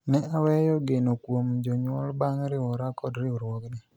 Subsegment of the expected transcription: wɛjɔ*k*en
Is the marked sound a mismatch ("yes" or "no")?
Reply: yes